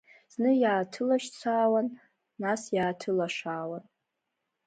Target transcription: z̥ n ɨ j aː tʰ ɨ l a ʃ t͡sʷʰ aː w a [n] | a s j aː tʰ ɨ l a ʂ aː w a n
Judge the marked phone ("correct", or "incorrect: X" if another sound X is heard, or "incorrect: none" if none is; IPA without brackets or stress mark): incorrect: nː